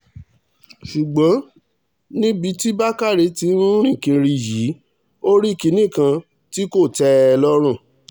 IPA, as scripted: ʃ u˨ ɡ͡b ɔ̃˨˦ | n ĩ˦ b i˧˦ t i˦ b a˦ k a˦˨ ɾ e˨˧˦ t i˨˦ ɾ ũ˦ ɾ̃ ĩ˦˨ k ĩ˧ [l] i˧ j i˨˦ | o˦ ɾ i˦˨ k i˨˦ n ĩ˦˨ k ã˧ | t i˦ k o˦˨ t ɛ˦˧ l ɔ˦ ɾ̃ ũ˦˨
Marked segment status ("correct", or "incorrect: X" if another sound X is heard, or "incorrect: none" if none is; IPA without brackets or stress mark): incorrect: ɾ